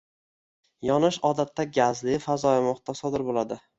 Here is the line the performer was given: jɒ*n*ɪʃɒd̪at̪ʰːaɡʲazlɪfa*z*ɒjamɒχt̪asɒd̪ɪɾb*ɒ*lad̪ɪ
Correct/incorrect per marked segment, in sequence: correct, correct, incorrect

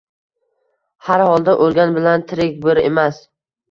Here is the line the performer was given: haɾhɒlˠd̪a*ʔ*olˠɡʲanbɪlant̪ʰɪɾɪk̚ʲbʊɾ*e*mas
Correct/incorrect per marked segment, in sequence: correct, correct

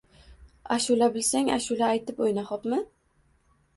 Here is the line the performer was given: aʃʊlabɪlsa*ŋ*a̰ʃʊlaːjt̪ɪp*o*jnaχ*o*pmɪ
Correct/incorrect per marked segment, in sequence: correct, correct, incorrect

